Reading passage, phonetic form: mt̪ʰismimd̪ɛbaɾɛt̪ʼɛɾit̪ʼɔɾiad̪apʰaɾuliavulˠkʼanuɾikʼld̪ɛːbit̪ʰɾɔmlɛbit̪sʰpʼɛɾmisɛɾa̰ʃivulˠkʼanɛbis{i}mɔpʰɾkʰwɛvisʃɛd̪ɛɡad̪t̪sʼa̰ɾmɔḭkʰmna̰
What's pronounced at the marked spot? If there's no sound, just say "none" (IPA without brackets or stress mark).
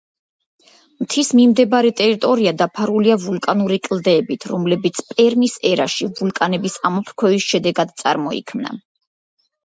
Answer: a